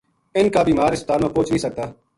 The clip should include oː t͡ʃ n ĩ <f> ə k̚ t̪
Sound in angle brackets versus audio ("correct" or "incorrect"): incorrect